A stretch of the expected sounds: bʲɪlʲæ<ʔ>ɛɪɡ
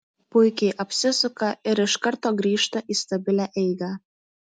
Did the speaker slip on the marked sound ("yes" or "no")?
no